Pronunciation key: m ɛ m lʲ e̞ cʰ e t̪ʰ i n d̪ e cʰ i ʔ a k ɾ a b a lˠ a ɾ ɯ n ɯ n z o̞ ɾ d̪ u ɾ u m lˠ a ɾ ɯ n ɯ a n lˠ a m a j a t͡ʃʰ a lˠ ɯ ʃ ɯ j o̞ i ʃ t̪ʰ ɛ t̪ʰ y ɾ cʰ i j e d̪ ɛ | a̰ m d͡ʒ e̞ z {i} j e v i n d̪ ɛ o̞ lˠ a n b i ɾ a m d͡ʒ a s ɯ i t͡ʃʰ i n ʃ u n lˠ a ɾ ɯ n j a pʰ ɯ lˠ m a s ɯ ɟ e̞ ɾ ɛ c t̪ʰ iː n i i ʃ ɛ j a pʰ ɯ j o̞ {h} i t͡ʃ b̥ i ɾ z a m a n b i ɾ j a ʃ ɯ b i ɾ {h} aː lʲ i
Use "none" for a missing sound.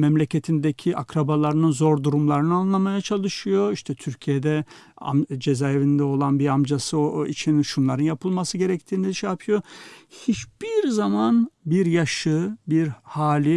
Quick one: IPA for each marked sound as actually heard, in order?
a, h, h

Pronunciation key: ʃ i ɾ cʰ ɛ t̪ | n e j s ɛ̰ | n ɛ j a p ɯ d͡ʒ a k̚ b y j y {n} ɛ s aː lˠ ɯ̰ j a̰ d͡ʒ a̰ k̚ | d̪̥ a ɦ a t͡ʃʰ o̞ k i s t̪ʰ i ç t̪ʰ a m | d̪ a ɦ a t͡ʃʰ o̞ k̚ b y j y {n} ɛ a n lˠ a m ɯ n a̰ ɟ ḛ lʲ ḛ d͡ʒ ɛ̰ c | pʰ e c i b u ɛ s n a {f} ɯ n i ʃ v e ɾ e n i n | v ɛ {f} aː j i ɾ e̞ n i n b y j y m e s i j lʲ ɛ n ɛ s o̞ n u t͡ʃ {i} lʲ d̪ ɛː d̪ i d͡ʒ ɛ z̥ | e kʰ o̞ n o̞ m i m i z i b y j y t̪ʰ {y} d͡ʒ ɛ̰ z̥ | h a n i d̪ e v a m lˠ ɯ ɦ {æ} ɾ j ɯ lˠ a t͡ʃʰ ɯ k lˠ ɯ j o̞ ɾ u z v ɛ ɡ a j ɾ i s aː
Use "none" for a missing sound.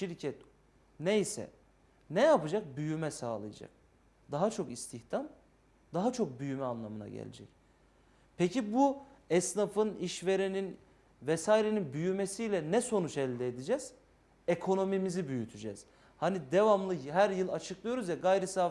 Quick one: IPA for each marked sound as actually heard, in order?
m, m, f, s, ɛ, y, æ

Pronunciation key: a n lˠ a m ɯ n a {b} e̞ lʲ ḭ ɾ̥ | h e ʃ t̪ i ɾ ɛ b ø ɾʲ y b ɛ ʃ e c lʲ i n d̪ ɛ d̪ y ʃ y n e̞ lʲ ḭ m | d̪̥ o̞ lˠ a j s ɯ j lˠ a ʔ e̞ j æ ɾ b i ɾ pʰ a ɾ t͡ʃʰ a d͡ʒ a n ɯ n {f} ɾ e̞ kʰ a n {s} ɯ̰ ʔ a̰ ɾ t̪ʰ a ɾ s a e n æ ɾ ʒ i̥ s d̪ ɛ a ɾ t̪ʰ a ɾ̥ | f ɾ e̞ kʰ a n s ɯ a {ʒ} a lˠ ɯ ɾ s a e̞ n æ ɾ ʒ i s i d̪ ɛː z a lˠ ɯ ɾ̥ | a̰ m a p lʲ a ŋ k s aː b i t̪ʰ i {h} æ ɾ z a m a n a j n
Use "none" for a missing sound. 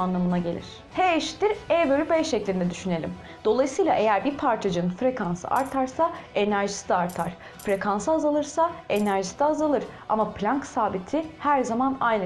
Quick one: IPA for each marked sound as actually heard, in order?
ɟ, f, s, z, h

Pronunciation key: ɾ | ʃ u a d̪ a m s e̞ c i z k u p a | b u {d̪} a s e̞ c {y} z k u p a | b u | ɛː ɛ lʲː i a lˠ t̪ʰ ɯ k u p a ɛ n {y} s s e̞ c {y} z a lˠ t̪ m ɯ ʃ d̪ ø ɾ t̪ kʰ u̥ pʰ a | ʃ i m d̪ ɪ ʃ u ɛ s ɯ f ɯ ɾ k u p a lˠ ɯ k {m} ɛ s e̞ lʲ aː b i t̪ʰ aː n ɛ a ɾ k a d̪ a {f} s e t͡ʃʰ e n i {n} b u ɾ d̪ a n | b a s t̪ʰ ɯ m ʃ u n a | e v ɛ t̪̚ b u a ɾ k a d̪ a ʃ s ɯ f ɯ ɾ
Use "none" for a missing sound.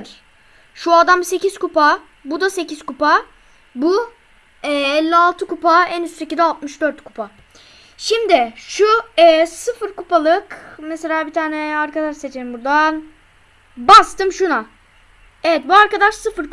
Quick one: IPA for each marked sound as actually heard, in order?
d̪, i, y, i, m, ʃ, m

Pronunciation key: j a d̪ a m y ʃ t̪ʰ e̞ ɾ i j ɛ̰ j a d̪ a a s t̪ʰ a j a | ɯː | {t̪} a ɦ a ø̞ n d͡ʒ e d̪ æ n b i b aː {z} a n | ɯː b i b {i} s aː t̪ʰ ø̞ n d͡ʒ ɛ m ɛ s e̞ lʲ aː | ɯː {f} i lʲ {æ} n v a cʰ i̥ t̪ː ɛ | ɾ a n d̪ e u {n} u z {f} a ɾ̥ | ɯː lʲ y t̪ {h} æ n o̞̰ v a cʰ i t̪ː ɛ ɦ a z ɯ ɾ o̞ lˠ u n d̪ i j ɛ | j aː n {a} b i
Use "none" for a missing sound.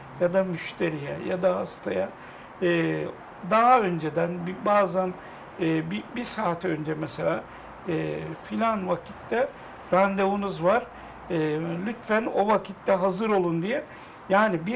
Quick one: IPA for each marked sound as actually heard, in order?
d̪, z, i, f, a, n, v, f, i

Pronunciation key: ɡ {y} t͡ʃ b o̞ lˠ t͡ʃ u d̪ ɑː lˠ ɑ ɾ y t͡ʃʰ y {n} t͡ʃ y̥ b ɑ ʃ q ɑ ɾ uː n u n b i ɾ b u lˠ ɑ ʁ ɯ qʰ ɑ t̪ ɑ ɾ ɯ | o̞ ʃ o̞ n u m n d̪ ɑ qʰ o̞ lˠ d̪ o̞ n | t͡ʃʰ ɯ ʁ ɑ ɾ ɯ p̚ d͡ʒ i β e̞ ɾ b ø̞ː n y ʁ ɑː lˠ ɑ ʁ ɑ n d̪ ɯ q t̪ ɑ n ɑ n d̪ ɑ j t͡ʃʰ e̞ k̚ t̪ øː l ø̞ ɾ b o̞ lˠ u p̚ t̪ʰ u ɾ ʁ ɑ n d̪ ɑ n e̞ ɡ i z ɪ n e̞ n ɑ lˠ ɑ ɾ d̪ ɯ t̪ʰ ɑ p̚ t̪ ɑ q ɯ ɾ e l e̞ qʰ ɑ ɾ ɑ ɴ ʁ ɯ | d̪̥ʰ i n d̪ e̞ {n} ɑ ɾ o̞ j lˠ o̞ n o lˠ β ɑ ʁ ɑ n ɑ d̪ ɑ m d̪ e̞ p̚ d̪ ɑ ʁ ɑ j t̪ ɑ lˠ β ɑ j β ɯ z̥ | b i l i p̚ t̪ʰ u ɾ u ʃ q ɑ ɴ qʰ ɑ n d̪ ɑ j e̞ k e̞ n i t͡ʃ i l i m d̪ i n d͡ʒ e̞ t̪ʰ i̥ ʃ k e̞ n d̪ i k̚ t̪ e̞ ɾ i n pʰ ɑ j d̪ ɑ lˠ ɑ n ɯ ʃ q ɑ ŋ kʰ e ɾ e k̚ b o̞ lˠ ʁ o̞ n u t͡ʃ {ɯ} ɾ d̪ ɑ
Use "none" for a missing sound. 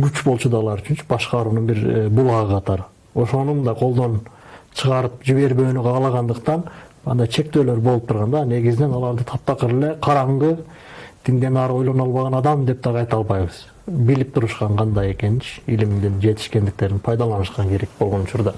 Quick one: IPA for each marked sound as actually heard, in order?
y, n, n, u

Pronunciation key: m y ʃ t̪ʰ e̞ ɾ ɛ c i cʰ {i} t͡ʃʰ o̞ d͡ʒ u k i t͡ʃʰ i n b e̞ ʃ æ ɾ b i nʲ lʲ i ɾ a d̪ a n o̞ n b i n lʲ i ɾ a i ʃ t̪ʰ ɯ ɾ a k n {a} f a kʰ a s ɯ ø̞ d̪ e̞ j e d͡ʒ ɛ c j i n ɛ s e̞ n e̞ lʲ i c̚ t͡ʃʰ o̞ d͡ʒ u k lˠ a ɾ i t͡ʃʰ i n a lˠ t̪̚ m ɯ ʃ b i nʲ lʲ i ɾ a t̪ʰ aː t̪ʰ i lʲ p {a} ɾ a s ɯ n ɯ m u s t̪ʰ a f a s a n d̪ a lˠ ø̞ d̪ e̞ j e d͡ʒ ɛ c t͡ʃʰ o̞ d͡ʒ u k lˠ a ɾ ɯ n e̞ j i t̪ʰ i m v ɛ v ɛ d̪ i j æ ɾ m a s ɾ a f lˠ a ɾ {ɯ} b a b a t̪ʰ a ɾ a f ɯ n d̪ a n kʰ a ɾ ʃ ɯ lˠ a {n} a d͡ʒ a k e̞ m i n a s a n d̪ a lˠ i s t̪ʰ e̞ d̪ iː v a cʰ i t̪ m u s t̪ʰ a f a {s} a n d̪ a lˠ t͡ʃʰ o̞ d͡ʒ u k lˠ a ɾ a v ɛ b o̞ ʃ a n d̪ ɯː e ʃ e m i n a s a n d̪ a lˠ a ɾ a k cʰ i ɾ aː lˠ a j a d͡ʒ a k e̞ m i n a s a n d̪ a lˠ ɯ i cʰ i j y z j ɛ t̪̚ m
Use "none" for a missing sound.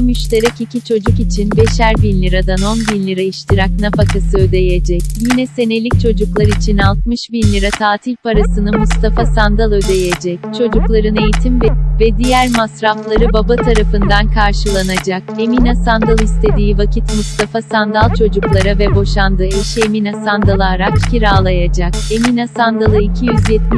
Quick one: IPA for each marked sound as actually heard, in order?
i, a, a, ɯ, n, s

